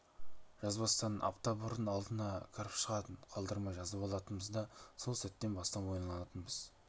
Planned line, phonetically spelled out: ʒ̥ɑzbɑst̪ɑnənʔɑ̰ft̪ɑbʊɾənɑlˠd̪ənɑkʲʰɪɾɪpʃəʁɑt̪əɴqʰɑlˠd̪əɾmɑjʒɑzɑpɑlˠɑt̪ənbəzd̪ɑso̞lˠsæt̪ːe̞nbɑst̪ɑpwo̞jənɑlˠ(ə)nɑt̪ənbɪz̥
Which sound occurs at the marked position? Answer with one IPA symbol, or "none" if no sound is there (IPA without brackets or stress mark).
ɑ